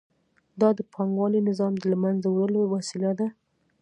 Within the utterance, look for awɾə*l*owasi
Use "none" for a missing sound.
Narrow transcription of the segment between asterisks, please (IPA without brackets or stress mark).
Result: l